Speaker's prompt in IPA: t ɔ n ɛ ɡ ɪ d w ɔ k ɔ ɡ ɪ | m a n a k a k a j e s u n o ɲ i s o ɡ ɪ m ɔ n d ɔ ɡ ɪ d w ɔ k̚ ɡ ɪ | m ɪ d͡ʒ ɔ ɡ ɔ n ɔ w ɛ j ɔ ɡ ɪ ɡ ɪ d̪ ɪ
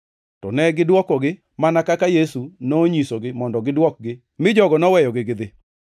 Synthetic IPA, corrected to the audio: t ɔ n ɛ ɡ ɪ d w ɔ k ɔ ɡ ɪ | m a n a k a k a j e s u n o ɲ i s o ɡ ɪ m ɔ n d ɔ ɡ ɪ d w ɔ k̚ ɡ ɪ | m ɪ d͡ʒ ɔ ɡ ɔ n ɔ w ɛ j ɔ ɡ ɪ ɡ ɪ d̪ ɪ